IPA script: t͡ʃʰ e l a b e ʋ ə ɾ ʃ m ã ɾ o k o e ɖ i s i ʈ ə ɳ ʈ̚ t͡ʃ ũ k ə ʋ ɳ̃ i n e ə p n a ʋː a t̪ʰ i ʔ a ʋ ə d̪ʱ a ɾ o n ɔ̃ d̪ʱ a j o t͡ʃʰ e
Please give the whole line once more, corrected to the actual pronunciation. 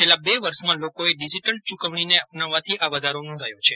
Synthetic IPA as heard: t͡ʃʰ e l a b e ʋ ə ɾ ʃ m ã l o k o e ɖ i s i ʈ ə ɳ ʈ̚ t͡ʃ u k ə ʋ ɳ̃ i n e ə p n a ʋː a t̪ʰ i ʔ a ʋ ə d̪ʱ a ɾ o n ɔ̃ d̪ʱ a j o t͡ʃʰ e